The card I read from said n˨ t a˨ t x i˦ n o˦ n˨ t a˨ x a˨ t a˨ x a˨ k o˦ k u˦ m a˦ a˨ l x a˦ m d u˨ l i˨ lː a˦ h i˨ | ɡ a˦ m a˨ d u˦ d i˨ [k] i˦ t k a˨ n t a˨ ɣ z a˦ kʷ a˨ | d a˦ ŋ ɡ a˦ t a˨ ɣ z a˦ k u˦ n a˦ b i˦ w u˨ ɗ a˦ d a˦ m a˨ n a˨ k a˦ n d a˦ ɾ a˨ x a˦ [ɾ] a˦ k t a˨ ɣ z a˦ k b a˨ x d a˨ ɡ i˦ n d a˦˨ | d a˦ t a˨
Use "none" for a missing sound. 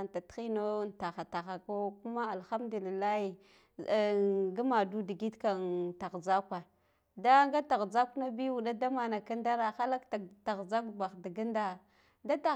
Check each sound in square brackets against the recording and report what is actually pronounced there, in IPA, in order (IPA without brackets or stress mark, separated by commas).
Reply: ɡ, l